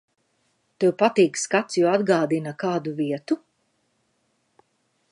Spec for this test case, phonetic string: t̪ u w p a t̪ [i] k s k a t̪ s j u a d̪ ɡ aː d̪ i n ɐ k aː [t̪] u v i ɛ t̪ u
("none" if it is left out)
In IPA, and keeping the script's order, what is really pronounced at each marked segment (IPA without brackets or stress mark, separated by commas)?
iː, d̪